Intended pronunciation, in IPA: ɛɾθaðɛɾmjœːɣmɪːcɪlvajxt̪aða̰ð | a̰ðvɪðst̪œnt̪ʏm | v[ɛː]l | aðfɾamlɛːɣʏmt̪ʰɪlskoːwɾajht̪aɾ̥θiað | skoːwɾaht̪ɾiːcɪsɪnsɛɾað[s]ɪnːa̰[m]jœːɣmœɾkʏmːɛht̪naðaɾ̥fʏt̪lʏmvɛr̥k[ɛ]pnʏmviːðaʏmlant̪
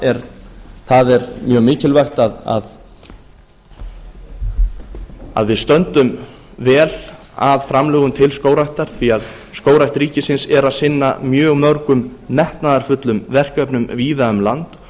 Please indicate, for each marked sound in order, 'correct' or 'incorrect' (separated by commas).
correct, correct, correct, incorrect